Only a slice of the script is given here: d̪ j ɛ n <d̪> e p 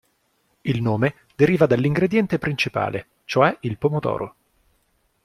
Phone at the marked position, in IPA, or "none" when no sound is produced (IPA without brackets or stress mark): t̪